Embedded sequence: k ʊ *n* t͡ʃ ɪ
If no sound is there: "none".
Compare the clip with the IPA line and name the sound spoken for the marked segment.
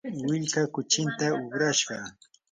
none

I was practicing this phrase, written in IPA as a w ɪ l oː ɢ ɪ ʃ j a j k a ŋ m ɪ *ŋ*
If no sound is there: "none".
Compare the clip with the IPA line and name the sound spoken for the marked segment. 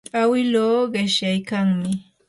none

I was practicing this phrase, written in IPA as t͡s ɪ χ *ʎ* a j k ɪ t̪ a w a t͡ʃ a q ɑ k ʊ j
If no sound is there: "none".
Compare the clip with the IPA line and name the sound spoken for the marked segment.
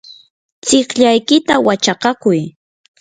ʎ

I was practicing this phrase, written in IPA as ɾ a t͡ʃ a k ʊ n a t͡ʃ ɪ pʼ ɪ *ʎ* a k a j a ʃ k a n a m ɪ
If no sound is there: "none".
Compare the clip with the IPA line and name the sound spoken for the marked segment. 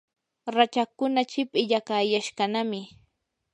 ʎ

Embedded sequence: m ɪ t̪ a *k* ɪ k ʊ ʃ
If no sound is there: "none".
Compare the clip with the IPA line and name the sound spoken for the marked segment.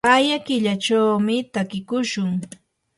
k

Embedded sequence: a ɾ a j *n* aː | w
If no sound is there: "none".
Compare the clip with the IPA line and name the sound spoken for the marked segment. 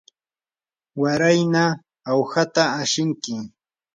n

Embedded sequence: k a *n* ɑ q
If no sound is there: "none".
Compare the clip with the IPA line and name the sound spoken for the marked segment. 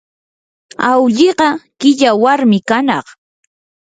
n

